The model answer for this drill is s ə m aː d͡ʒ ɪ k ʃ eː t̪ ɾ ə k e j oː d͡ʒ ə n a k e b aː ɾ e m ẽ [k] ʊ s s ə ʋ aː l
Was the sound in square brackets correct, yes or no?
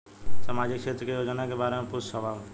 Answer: no